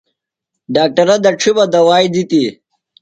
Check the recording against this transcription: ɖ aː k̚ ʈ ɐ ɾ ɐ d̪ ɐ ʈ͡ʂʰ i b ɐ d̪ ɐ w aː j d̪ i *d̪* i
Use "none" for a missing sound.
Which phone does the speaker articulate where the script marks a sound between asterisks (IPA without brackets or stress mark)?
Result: t̪